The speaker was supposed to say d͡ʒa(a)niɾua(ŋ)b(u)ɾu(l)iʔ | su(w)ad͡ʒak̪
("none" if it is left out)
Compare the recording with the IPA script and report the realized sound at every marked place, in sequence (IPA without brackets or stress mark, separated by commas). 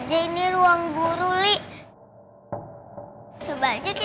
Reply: i, ŋ, u, l, b